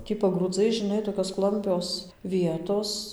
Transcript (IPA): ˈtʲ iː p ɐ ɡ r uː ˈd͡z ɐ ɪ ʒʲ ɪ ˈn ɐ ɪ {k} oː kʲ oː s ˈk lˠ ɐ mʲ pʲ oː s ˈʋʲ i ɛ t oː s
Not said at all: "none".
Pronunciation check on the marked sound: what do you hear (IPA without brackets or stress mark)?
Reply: t